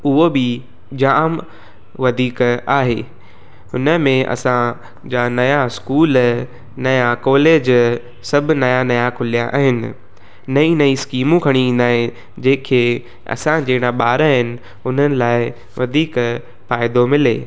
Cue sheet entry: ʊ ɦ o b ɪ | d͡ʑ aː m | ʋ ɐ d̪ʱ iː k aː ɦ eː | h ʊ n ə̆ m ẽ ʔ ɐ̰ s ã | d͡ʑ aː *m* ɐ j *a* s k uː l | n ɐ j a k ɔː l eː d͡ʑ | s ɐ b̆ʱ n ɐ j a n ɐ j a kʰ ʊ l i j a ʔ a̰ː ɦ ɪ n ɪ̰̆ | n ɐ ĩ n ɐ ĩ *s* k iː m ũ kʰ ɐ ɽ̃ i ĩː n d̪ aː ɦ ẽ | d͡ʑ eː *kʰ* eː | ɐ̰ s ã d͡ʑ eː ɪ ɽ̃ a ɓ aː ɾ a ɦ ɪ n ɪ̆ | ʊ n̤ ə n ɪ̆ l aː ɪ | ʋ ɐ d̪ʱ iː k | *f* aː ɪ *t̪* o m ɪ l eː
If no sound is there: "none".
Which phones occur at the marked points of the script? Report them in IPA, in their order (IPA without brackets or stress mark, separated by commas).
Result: n, a, s, kʰ, f, d̪